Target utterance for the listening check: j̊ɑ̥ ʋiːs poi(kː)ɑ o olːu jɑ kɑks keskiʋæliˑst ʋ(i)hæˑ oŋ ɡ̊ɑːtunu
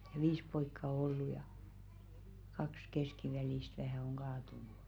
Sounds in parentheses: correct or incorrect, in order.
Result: correct, incorrect: æ

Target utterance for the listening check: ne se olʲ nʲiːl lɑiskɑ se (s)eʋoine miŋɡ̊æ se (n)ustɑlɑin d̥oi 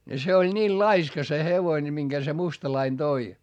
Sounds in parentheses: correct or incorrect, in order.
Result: incorrect: h, incorrect: m

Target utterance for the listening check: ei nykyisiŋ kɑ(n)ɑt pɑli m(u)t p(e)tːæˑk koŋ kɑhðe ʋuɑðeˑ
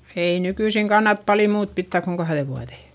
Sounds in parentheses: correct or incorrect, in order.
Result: incorrect: nː, incorrect: uː, incorrect: i

